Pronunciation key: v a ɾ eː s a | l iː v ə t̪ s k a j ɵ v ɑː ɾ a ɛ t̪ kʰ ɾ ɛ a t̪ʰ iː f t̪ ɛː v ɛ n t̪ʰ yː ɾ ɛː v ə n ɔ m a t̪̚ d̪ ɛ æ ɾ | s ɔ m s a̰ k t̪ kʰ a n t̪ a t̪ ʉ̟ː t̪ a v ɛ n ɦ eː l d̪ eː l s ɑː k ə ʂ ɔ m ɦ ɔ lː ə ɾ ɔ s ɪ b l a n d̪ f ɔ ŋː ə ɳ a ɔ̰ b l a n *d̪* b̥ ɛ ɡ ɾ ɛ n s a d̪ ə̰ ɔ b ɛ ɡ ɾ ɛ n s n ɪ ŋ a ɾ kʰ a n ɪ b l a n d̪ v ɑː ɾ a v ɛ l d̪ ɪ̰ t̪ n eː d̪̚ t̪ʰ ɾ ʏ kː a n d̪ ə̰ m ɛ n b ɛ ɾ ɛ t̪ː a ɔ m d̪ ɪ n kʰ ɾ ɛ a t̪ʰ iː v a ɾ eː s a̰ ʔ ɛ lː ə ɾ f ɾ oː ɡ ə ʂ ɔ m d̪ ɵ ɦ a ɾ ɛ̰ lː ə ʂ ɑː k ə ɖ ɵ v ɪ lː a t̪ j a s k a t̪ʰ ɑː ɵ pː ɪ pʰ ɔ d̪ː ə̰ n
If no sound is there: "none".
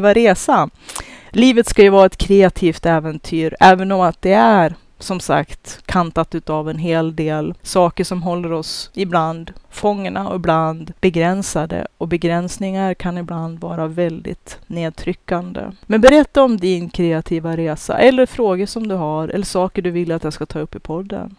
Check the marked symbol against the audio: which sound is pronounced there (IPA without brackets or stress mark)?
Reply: d̪